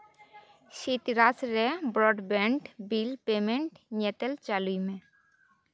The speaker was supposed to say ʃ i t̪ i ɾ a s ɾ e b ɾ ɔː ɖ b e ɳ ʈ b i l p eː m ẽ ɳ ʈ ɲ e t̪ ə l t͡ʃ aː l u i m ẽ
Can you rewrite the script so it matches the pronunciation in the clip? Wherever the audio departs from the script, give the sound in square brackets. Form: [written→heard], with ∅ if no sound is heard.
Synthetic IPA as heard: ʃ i t̪ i ɾ a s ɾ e b ɾ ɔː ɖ b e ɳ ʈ b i l p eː m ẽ ɳ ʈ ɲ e t̪ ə l t͡ʃ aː l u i m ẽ